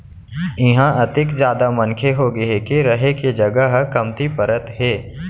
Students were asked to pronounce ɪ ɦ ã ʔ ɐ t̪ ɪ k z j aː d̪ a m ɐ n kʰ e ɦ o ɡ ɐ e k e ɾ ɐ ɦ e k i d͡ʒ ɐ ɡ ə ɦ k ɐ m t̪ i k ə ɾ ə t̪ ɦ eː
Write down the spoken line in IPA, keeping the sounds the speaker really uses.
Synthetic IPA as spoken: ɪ ɦ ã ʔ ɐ t̪ ɪ k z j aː d̪ a m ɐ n kʰ e ɦ o ɡ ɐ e k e ɾ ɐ ɦ e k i d͡ʒ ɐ ɡ ə ɦ k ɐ m t̪ i p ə ɾ ə t̪ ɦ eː